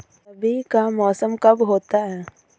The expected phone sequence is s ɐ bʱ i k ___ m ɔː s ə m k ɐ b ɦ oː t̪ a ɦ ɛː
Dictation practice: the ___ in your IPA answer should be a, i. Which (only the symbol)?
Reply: a